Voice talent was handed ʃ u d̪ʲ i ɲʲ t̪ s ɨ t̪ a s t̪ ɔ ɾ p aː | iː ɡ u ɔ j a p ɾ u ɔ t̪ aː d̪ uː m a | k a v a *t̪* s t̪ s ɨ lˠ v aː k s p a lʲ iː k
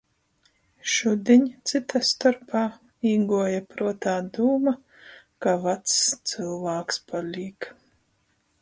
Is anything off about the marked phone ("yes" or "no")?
no